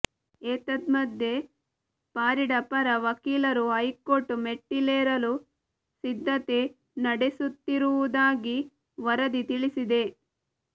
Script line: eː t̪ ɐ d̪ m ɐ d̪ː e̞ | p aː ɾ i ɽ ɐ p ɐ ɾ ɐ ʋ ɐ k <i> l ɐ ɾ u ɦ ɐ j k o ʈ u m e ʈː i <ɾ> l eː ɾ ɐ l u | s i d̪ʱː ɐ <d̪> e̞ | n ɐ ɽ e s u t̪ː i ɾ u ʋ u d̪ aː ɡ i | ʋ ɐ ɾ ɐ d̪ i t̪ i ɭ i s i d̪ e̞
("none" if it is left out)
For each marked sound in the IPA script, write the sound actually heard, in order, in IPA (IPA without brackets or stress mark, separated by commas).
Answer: iː, none, t̪